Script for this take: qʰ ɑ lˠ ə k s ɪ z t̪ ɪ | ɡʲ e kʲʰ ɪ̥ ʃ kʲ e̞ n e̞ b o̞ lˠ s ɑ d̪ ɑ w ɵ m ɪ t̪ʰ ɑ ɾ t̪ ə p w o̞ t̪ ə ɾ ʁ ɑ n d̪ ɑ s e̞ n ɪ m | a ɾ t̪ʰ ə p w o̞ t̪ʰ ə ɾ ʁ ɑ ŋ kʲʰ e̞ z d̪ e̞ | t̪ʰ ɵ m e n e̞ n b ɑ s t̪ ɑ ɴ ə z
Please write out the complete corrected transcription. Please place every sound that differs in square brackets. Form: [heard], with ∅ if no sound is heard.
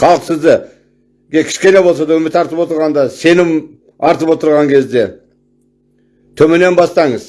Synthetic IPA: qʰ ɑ lˠ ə [q] s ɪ z [d̪] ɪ | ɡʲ e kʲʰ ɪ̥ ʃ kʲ e̞ n e̞ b o̞ lˠ s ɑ d̪ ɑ w ɵ m ɪ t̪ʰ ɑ ɾ t̪ ə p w o̞ t̪ ə ɾ ʁ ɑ n d̪ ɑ s e̞ n ɪ m | [ɑ] ɾ [t̪] ə p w o̞ [t̪] ə ɾ ʁ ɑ ŋ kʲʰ e̞ z d̪ e̞ | t̪ʰ ɵ m e n e̞ n b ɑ s t̪ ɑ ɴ ə z